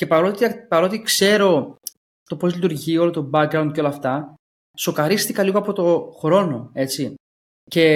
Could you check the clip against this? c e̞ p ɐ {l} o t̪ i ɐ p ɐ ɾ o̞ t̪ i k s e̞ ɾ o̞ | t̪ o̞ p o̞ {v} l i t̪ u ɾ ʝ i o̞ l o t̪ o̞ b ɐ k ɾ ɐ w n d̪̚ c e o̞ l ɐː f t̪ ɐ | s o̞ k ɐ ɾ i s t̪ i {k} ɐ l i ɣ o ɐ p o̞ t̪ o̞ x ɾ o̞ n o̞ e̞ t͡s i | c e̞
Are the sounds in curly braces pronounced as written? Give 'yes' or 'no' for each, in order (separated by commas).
no, no, yes